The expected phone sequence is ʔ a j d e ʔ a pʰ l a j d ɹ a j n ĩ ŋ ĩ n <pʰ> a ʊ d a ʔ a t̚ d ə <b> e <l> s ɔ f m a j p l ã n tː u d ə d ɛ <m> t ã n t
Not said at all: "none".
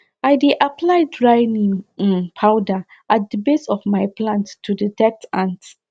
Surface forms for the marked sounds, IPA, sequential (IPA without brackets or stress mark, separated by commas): pʰ, b, none, none